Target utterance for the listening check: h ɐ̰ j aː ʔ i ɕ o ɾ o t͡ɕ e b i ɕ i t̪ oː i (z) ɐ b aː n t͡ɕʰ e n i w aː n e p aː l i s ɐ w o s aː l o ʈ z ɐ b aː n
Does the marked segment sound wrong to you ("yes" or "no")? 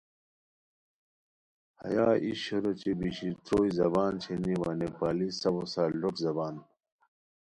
no